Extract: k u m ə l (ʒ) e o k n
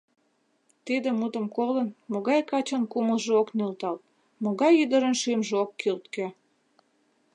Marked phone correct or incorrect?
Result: correct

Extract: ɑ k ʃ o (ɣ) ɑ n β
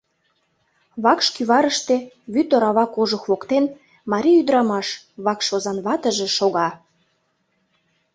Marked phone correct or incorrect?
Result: incorrect: z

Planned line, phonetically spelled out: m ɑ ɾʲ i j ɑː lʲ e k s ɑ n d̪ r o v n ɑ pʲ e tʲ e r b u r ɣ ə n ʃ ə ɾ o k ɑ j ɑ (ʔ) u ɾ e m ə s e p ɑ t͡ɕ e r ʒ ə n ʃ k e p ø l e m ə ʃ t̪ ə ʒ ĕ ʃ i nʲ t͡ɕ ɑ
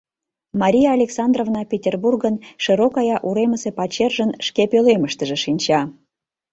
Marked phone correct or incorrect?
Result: correct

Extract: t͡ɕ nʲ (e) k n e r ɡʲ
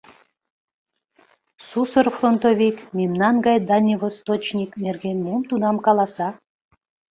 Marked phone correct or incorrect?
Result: incorrect: i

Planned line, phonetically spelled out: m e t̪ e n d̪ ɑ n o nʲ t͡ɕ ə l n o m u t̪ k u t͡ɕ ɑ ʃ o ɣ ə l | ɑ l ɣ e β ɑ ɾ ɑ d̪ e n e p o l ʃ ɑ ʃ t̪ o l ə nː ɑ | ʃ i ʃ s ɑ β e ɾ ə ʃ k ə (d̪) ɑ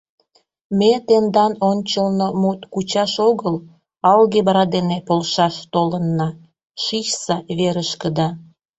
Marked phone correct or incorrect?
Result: correct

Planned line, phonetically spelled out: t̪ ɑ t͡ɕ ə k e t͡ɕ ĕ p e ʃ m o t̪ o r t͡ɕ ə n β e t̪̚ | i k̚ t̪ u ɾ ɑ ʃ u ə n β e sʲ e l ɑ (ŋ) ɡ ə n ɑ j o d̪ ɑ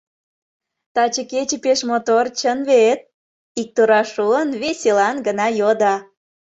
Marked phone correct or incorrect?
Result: incorrect: n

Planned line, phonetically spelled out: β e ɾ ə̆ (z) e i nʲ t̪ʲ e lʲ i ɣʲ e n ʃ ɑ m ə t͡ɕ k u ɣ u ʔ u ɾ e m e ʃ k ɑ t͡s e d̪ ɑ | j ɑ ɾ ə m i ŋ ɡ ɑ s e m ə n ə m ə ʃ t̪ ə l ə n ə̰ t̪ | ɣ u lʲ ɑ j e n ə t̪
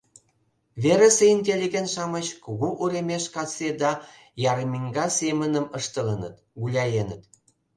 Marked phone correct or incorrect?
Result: incorrect: s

